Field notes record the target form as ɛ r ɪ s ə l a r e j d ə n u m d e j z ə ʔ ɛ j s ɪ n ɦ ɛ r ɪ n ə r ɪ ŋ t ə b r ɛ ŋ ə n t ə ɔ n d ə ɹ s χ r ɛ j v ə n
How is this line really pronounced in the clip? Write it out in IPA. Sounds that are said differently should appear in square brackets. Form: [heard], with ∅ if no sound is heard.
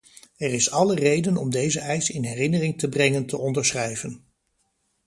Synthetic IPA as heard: ɛ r ɪ s [ɑ] l [ə] r e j d ə n [ɔ] m d e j z ə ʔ ɛ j s ɪ n ɦ ɛ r ɪ n ə r ɪ ŋ t ə b r ɛ ŋ ə n t ə ɔ n d ə ɹ s χ r ɛ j v ə n